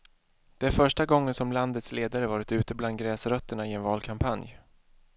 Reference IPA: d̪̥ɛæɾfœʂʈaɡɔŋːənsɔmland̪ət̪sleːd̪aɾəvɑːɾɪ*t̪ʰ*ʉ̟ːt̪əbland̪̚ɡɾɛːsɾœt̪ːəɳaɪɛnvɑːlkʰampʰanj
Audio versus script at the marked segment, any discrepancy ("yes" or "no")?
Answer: yes